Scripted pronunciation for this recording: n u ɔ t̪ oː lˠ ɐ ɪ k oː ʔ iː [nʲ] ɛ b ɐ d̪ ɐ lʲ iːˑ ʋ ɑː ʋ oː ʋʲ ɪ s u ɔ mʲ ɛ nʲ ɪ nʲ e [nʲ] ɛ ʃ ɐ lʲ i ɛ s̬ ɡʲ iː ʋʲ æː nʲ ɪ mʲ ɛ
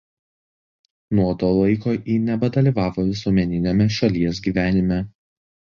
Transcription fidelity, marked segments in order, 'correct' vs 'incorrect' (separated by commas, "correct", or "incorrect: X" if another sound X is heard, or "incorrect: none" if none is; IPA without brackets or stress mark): correct, incorrect: mʲ